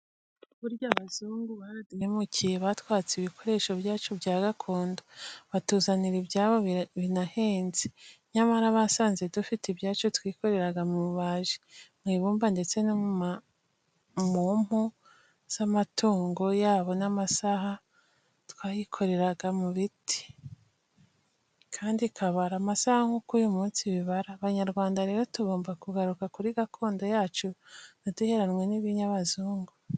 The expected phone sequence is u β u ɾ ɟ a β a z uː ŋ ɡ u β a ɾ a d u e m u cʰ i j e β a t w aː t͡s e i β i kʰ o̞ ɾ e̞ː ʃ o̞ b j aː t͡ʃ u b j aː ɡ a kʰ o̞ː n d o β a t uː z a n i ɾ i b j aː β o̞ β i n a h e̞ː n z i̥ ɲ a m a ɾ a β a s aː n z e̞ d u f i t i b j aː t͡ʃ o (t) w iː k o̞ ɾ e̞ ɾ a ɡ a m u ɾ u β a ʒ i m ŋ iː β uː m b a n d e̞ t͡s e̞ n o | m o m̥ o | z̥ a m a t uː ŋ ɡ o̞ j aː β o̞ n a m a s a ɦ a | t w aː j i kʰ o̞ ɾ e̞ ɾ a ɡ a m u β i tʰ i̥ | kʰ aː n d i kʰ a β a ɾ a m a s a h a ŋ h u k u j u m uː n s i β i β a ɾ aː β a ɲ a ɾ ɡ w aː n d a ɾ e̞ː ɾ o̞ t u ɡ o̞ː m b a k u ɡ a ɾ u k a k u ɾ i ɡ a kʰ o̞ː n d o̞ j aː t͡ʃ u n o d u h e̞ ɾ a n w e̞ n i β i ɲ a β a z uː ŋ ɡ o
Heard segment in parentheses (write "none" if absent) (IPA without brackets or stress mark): t